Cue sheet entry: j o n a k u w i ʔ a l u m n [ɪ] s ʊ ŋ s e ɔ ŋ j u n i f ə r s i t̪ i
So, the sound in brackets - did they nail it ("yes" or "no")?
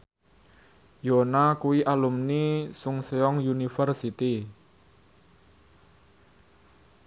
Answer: no